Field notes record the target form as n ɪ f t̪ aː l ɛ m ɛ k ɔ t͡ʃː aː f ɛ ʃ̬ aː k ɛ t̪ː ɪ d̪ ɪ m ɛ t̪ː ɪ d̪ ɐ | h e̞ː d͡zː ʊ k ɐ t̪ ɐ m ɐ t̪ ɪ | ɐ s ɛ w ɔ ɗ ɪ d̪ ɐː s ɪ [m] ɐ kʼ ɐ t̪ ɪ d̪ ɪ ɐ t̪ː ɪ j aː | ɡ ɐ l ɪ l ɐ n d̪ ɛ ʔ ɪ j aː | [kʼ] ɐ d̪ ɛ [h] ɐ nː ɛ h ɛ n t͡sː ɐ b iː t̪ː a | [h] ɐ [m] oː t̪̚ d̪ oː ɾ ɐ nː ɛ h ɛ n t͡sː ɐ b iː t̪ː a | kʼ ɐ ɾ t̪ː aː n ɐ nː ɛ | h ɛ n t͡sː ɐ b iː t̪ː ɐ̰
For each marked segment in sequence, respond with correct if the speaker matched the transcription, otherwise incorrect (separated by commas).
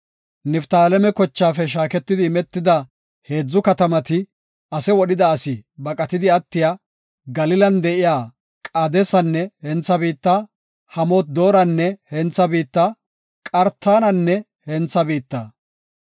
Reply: incorrect, correct, incorrect, correct, correct